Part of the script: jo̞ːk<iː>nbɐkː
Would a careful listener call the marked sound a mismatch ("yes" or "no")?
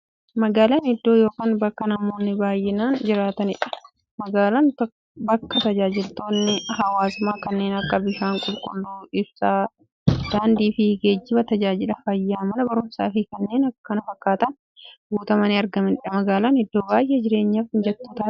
yes